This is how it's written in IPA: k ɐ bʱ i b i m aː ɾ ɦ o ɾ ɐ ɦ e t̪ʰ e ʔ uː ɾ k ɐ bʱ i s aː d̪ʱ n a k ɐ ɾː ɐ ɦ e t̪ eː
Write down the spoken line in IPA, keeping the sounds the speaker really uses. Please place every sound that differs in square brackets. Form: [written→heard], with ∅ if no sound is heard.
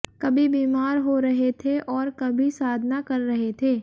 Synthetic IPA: k ɐ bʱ i b [i→iː] m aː ɾ ɦ o ɾ ɐ ɦ e t̪ʰ e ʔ [uː→ɔː] ɾ k ɐ bʱ i s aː d̪ʱ n a k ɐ ɾː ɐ ɦ e [t̪→t̪ʰ] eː